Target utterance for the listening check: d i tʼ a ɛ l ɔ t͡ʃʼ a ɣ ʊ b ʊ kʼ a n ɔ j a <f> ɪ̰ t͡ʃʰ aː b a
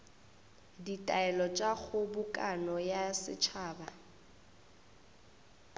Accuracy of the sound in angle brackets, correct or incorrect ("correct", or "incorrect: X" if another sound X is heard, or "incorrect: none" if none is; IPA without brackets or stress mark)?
incorrect: s